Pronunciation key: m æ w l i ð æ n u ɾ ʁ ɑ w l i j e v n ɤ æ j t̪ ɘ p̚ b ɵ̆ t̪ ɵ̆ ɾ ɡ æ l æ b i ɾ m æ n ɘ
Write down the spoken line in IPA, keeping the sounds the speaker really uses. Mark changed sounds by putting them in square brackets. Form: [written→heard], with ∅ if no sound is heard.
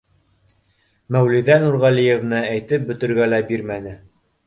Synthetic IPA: m æ w l i ð æ n u ɾ ʁ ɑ [w→∅] l i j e v n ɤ æ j t̪ ɘ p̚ b ɵ̆ t̪ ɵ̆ ɾ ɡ æ l æ b i ɾ m æ n ɘ